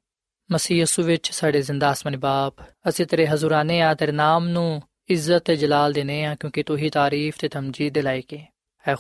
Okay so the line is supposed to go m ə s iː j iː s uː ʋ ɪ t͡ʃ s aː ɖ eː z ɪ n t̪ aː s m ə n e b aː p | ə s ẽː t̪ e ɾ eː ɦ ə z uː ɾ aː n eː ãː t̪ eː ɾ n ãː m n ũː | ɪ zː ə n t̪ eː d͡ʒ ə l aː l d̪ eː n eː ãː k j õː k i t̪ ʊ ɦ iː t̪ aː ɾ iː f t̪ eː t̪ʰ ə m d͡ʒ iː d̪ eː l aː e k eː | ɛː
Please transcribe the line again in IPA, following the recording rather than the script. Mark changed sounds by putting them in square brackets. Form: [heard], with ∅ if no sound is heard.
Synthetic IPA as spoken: m ə s iː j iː s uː ʋ ɪ t͡ʃ s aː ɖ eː z ɪ n [d̪] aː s m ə n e b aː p | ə s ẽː t̪ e ɾ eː ɦ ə z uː ɾ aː n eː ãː t̪ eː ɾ n [aː] m n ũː | ɪ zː ə [∅] t̪ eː d͡ʒ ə l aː l d̪ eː n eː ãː k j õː k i t̪ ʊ ɦ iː t̪ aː ɾ iː f t̪ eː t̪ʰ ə m d͡ʒ iː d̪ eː l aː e k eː | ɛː